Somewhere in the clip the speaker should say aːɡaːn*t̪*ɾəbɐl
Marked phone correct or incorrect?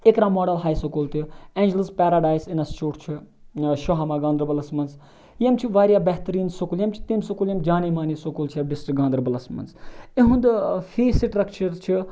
incorrect